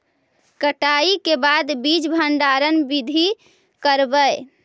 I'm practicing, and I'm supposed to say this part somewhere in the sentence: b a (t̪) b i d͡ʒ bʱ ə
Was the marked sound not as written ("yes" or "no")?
yes